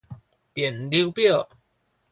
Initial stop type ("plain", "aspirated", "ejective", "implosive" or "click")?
plain